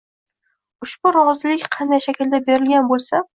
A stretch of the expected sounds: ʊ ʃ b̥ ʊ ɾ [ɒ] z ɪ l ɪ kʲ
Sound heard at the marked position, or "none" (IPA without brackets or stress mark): ɒ